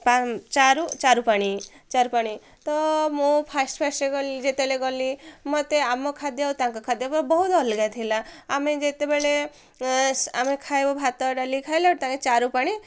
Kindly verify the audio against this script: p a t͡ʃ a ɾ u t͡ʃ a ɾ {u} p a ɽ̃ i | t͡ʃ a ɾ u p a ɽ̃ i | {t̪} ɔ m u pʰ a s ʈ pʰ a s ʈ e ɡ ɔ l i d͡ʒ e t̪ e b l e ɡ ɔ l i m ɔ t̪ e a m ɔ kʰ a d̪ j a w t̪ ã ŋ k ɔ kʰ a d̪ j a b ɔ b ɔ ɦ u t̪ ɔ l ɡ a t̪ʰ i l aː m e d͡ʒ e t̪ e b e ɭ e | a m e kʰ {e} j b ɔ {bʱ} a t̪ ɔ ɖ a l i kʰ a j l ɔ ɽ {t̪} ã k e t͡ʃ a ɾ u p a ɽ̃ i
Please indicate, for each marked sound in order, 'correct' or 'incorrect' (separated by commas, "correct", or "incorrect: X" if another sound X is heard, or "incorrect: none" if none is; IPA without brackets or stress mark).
correct, correct, incorrect: a, correct, correct